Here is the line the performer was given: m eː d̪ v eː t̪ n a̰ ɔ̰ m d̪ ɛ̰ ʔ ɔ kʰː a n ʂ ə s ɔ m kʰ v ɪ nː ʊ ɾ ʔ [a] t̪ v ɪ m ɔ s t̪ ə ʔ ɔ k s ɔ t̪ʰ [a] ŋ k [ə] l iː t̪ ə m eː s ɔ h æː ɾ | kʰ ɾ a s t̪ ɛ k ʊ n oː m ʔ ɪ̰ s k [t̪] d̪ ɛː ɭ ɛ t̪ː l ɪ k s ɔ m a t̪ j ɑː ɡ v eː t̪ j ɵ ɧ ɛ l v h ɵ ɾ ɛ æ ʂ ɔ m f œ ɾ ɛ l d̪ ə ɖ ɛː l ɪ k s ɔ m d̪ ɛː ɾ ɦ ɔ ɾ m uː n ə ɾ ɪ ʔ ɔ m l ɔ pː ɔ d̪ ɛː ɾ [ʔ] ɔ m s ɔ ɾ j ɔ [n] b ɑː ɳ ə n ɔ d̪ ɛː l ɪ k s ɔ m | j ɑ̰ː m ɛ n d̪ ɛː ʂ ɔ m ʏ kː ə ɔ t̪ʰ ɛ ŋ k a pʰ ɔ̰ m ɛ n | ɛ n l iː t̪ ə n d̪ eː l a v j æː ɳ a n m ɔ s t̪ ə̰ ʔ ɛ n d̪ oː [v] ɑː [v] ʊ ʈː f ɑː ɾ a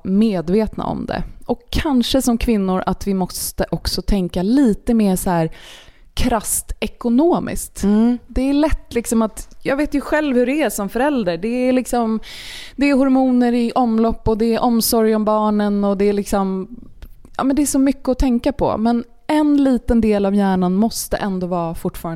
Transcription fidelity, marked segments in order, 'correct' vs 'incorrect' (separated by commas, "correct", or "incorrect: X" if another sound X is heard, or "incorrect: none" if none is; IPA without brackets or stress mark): correct, incorrect: ɛ, incorrect: a, correct, correct, incorrect: m, correct, incorrect: f